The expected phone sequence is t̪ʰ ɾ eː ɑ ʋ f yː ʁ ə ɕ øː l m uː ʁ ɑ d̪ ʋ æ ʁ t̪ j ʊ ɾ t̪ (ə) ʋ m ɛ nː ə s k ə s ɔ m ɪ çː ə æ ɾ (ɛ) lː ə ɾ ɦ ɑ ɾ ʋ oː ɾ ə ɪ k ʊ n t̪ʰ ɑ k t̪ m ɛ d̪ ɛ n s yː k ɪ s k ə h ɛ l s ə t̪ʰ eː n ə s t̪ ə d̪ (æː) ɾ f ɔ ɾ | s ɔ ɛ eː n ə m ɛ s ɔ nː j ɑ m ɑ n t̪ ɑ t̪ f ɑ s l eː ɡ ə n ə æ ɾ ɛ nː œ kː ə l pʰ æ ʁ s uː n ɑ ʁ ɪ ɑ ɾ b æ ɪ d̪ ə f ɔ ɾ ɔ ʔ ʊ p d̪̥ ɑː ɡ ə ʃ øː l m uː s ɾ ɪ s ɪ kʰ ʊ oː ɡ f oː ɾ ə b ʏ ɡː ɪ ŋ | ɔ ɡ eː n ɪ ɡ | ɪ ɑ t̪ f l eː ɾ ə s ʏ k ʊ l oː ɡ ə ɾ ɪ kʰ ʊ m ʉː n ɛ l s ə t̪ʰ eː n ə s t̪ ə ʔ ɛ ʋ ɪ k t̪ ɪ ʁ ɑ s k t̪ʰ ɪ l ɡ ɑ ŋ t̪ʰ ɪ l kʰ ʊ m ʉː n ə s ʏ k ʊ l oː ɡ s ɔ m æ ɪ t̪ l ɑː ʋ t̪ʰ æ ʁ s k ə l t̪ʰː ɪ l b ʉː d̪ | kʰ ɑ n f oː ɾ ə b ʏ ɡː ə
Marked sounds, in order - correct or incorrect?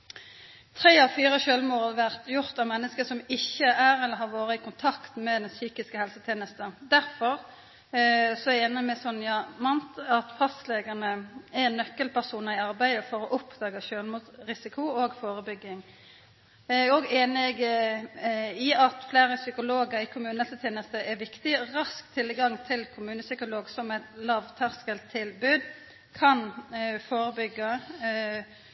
incorrect, correct, incorrect

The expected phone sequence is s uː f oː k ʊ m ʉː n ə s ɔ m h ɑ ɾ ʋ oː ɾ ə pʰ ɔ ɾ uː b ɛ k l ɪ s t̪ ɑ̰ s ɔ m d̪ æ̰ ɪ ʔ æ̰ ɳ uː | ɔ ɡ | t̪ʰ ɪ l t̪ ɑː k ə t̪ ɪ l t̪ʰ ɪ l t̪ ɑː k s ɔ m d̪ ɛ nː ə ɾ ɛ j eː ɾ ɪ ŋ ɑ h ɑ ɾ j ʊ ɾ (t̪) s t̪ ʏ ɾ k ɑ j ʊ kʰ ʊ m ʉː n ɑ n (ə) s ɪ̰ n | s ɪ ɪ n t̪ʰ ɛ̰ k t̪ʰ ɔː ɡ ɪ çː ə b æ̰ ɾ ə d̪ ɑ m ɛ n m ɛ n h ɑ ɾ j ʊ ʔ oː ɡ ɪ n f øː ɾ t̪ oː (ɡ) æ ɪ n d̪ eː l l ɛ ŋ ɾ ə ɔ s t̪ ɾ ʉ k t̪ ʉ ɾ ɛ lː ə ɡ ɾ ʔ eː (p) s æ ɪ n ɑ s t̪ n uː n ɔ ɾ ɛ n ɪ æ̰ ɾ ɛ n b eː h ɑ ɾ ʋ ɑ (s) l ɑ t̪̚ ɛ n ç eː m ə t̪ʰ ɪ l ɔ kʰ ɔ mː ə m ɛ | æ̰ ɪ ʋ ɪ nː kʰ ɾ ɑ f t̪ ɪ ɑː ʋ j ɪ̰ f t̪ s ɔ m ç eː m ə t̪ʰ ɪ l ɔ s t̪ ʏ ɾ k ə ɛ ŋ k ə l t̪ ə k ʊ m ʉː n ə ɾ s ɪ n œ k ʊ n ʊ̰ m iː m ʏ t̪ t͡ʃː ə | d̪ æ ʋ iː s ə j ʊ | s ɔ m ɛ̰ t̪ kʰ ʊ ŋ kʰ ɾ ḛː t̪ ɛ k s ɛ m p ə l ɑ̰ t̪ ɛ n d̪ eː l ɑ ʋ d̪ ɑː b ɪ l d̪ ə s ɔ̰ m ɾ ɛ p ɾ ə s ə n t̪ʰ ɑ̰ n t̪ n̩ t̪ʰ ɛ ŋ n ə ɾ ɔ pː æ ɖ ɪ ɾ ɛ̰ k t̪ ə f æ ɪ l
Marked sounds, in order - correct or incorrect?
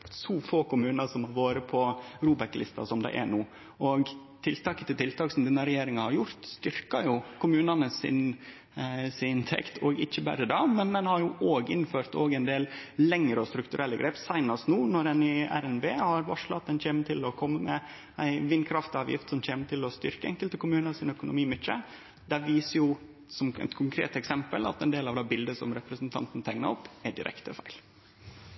correct, correct, correct, correct, incorrect

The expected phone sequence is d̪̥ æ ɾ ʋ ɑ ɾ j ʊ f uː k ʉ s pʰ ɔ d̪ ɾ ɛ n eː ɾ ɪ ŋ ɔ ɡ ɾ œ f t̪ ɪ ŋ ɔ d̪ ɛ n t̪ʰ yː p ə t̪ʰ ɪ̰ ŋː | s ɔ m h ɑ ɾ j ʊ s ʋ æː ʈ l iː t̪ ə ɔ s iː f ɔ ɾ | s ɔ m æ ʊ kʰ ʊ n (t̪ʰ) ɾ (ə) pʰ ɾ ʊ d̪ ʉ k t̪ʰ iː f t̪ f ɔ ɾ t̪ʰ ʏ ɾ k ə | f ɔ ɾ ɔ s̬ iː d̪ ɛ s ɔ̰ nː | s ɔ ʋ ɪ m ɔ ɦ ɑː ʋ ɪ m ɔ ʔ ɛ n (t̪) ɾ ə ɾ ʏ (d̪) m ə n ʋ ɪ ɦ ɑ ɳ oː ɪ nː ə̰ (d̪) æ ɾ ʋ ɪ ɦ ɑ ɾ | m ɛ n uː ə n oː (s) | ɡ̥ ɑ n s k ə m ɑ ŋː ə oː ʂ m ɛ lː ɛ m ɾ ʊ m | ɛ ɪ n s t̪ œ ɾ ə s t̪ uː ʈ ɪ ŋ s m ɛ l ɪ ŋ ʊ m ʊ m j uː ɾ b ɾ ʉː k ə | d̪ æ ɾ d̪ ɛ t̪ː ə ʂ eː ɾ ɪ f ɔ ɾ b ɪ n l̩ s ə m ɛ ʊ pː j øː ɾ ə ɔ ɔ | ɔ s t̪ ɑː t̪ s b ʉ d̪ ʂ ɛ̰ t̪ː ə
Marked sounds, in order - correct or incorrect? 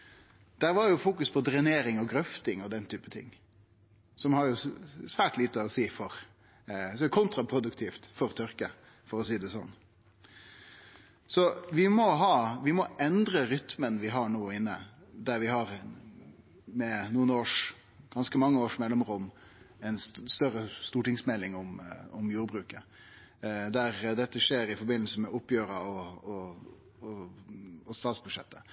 incorrect, incorrect, incorrect, incorrect, correct, incorrect

